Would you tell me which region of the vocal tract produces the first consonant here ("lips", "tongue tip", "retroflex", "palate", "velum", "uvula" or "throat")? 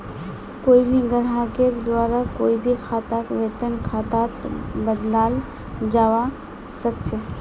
velum